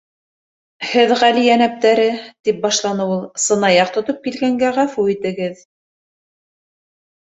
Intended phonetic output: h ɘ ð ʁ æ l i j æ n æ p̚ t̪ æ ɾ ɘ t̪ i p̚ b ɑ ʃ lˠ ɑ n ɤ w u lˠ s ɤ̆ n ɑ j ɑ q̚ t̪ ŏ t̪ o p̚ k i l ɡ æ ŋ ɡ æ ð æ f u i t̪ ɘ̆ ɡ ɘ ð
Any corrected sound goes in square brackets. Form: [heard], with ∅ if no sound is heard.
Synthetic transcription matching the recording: h ɘ ð ʁ æ l i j æ n æ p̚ t̪ æ ɾ ɘ t̪ i p̚ b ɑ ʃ lˠ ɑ n ɤ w u lˠ s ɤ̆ n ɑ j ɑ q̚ t̪ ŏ t̪ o p̚ k i l ɡ æ ŋ ɡ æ [ʁ] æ f u i t̪ ɘ̆ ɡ ɘ ð